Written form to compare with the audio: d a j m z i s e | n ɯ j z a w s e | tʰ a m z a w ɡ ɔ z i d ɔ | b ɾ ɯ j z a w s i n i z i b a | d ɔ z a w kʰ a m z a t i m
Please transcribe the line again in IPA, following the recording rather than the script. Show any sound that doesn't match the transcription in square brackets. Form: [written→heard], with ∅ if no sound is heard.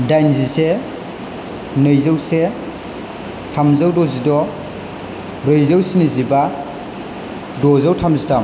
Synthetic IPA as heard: d a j [m→n] z i s e | n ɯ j z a w s e | tʰ a m z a w [ɡ→d] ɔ z i d ɔ | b ɾ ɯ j z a w s i n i z i b a | d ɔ z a w [kʰ→tʰ] a m z [a→i] t [i→a] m